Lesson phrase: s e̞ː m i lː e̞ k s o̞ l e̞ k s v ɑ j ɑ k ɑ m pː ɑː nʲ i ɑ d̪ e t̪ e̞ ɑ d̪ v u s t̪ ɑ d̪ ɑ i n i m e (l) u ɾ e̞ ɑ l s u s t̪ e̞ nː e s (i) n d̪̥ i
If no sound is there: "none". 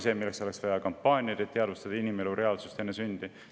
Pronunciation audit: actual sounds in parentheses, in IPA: l, y

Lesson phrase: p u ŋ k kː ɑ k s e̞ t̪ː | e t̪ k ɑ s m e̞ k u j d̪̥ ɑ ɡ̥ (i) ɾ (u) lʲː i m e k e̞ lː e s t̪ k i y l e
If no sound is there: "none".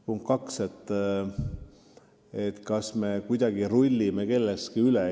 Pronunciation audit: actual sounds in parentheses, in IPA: i, u

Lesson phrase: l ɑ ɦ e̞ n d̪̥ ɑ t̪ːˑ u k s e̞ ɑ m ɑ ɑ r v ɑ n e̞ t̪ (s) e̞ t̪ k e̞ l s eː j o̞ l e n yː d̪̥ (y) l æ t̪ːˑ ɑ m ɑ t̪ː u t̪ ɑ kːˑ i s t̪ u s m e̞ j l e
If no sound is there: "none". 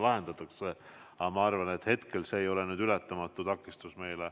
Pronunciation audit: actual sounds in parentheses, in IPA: h, y

